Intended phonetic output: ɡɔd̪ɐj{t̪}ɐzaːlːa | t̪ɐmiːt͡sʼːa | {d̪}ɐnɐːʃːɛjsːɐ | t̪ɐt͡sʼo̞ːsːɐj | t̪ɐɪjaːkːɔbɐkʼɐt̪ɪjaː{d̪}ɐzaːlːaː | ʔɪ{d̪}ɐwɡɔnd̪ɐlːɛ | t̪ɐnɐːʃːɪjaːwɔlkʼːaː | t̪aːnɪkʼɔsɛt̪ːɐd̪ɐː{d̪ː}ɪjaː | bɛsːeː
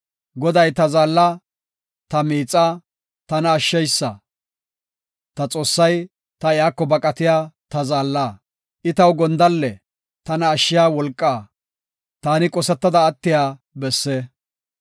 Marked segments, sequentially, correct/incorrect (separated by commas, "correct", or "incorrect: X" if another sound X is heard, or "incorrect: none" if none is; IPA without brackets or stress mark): correct, incorrect: t̪, incorrect: t̪, incorrect: t̪, incorrect: t̪ː